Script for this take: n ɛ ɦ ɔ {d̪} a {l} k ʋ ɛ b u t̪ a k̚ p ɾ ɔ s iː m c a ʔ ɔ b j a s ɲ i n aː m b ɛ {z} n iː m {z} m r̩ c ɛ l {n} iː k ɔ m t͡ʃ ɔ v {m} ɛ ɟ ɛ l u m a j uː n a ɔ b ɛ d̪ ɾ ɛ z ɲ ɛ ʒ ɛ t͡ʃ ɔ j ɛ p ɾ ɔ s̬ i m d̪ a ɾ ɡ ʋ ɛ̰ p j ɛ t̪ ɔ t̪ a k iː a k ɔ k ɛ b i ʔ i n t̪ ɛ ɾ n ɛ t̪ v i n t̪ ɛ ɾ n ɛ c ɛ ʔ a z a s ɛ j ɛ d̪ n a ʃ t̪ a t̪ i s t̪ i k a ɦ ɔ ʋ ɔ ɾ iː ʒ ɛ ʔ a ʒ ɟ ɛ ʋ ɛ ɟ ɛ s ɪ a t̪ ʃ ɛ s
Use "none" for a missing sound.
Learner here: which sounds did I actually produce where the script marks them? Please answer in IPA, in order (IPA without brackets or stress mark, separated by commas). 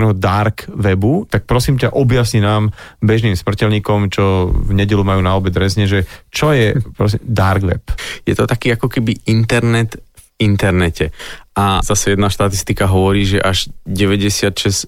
d̪, ɾ, ʒ, s, ɲ, ɲ